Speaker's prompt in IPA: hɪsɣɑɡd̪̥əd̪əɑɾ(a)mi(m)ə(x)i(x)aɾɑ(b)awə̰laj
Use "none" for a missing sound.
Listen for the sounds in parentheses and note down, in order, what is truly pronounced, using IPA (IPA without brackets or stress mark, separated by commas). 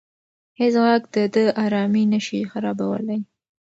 ɑ, n, ʃ, x, b